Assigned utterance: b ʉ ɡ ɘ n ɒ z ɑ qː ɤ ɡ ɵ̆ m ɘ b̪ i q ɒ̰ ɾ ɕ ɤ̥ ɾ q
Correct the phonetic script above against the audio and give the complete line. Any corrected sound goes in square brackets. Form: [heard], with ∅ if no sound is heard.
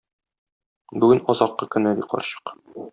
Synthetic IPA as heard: b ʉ ɡ ɘ n ɒ z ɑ qː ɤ [k] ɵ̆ [n] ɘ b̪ i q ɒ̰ ɾ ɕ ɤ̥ [∅] q